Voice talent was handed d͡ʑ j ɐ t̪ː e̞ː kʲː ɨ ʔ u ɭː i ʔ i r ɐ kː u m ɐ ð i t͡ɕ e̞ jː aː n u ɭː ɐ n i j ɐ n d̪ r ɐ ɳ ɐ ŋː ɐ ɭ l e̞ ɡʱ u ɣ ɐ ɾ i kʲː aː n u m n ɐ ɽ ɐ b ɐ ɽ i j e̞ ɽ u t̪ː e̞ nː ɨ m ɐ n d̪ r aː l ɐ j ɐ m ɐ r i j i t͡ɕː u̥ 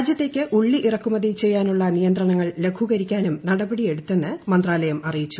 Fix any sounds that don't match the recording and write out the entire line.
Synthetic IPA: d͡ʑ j ɐ t̪ː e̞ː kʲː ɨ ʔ u ɭː i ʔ i r ɐ kː u m ɐ ð i t͡ɕ e̞ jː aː n u ɭː ɐ n i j ɐ n d̪ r ɐ ɳ ɐ ŋː ɐ ɭ l e̞ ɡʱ u ɣ ɐ ɾ i kʲː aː n u m n ɐ ɽ ɐ b ɐ ɽ i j e̞ ɽ u t̪ː e̞ nː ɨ m ɐ n d̪ r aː l ɐ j ɐ m ɐ r i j i t͡ɕː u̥

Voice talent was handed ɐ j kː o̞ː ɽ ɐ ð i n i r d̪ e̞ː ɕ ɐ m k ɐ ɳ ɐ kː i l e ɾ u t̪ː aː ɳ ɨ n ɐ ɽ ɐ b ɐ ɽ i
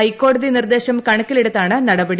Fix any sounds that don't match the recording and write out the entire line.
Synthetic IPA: ɐ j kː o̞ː ɽ ɐ ð i n i r d̪ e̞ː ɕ ɐ m k ɐ ɳ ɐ kː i l e ɽ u t̪ː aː ɳ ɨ n ɐ ɽ ɐ b ɐ ɽ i

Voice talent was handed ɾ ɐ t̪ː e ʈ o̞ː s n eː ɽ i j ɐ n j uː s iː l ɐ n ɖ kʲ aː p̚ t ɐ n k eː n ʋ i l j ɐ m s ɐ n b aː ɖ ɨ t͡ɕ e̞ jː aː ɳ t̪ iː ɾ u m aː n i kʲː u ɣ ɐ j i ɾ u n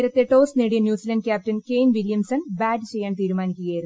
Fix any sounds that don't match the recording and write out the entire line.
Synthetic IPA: ɾ ɐ t̪ː e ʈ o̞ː s n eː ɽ i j ɐ n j uː s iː l ɐ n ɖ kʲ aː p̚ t ɐ n k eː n ʋ i l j ɐ m s ɐ n b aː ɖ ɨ t͡ɕ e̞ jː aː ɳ t̪ iː ɾ u m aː n i kʲː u ɣ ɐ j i ɾ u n

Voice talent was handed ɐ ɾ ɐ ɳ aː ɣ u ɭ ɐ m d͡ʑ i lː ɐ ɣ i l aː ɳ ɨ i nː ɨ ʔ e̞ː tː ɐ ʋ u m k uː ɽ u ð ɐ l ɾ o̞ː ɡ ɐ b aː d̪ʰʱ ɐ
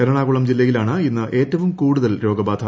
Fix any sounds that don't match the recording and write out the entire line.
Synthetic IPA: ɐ ɾ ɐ ɳ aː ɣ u ɭ ɐ m d͡ʑ i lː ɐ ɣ i l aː ɳ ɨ i nː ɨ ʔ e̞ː tː ɐ ʋ u m k uː ɽ u ð ɐ l ɾ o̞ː ɡ ɐ b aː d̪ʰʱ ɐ

